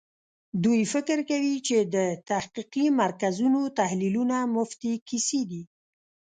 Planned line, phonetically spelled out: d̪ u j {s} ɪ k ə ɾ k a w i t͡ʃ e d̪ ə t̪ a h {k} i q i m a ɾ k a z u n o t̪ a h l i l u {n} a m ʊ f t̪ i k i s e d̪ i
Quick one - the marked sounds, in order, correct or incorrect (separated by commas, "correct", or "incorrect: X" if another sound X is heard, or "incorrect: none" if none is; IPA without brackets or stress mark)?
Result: incorrect: f, incorrect: q, correct